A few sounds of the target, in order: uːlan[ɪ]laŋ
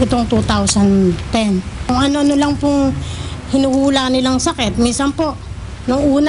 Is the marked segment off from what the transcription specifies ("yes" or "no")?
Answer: no